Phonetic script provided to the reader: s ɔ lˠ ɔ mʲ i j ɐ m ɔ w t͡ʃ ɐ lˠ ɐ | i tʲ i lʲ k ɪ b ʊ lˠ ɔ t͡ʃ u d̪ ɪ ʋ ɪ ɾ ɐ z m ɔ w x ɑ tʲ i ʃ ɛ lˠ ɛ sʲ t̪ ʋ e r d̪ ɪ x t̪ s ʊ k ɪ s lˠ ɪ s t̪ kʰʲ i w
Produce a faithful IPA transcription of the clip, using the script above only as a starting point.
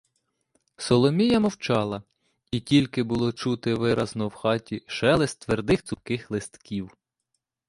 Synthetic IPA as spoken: s ɔ lˠ ɔ mʲ i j ɐ m ɔ w t͡ʃ ɑ lˠ ɐ | i tʲ i lʲ k ɪ b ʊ lˠ ɔ t͡ʃ u t̪ ɪ ʋ ɪ ɾ ɐ z n ɔ w x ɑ tʲ i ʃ ɛ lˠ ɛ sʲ t̪ ʋ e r d̪ ɪ x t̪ s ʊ k ɪ x lˠ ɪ s t̪ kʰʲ i w